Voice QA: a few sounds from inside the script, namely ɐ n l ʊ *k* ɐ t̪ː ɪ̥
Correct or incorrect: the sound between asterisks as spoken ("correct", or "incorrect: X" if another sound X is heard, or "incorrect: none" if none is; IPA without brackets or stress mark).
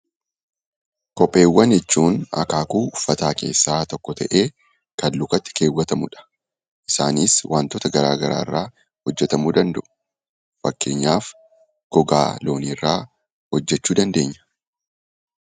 correct